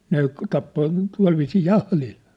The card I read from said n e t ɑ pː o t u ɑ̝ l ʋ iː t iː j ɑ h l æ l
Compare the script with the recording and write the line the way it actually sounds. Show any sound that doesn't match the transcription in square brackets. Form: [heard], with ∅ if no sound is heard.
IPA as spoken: n e t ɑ pː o t u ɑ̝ l ʋ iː [s] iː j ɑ h l [i] l